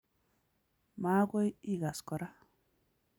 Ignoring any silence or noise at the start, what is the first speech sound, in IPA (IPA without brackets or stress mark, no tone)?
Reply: m